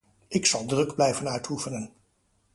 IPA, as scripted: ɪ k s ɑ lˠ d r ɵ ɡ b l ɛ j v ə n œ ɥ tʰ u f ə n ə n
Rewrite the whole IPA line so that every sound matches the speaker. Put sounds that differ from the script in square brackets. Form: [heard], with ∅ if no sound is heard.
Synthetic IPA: ɪ k s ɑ lˠ d r ɵ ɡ b l ɛ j v ə n œ ɥ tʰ u f ə n ə n